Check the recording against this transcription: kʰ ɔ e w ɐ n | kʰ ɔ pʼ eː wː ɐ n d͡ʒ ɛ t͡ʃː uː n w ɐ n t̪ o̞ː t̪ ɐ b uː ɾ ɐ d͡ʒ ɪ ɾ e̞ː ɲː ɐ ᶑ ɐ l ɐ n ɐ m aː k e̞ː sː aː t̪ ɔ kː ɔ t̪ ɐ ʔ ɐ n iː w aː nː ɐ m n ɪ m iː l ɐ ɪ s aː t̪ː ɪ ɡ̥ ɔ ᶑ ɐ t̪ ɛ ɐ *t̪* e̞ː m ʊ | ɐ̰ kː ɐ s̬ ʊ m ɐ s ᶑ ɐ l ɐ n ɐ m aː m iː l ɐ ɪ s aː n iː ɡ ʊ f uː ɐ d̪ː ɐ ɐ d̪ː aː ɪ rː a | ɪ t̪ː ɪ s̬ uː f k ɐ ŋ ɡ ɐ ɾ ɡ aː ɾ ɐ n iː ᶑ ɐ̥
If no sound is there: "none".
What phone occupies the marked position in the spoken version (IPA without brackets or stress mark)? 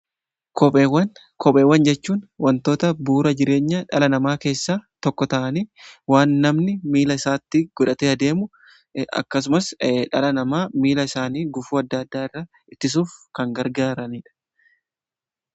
d̪